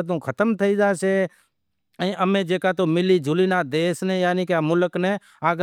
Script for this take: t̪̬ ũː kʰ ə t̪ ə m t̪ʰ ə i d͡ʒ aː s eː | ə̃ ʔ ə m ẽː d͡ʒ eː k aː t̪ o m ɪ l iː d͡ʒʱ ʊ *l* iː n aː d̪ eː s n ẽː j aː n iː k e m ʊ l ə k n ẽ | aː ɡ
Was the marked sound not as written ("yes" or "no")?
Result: no